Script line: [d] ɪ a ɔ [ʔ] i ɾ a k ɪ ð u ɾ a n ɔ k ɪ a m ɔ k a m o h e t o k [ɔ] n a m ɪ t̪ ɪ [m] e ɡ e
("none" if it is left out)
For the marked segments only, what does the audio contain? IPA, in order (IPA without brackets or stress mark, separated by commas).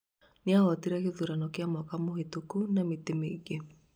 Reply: n, t, u, m